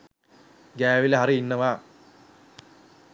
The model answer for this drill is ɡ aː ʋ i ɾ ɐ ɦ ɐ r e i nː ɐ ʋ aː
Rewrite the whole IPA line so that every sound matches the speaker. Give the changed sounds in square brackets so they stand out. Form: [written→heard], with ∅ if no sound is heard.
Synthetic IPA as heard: ɡ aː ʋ i [ɾ→l] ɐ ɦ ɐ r [e→i] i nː ɐ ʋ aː